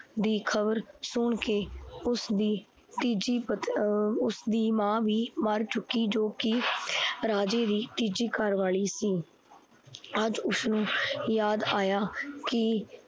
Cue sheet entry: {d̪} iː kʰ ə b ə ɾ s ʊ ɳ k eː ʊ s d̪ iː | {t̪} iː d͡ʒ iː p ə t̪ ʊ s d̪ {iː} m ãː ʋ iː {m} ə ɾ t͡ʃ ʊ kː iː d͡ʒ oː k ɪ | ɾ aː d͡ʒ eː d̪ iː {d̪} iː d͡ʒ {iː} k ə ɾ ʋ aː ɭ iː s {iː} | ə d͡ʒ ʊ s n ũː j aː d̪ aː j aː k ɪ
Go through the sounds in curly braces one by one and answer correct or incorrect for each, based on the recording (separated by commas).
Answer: correct, correct, correct, correct, incorrect, correct, correct